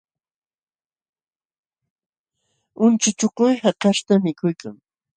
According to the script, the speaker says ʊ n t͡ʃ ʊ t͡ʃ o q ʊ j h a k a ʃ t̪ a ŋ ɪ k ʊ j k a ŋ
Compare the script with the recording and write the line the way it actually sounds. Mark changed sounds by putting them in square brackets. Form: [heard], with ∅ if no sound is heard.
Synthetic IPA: ʊ n t͡ʃ ʊ t͡ʃ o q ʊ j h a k a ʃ t̪ a [m] ɪ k ʊ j k a ŋ